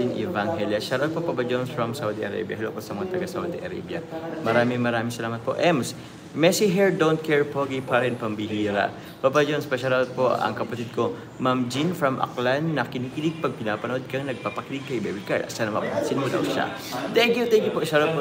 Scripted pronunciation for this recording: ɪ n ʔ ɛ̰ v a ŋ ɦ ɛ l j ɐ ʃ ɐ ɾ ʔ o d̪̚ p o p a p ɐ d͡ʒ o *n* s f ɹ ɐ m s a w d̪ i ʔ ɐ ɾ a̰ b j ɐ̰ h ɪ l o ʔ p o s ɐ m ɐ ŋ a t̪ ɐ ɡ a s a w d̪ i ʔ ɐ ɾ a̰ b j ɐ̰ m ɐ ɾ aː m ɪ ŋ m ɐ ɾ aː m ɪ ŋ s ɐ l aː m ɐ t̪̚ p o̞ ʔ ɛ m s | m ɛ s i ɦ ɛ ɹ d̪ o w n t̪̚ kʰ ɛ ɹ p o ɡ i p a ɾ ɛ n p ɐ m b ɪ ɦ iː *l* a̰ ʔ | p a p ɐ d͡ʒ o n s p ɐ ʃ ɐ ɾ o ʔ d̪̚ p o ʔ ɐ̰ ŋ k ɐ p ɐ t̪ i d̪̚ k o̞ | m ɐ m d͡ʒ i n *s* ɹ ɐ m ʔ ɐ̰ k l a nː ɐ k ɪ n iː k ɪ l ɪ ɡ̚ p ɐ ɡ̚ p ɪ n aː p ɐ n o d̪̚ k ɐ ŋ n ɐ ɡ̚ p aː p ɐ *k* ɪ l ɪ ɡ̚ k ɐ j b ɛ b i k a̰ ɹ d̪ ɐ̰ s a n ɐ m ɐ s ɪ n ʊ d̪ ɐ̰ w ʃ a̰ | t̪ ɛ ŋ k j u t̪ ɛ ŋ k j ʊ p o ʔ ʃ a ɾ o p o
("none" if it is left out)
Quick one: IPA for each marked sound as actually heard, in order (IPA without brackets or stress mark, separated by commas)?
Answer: n, ɾ, f, k